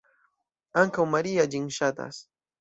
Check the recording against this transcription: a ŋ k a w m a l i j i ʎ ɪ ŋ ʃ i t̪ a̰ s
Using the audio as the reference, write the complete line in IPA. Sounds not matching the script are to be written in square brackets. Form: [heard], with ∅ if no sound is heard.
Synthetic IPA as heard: a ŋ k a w m a [ɾ] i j [a] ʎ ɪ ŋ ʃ [a] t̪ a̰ s